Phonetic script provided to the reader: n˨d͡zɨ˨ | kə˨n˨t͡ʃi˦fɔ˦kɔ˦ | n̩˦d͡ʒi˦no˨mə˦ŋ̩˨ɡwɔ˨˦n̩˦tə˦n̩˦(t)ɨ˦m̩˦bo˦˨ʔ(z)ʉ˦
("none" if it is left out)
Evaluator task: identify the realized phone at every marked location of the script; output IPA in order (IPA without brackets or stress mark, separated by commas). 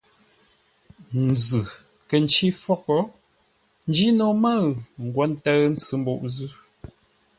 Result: t͡s, z